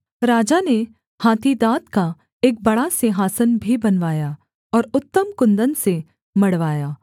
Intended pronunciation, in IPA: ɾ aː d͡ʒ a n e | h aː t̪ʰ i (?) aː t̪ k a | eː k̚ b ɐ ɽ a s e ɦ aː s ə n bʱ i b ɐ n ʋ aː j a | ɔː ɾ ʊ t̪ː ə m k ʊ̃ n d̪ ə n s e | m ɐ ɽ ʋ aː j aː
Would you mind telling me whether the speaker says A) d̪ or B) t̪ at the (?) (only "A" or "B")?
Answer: A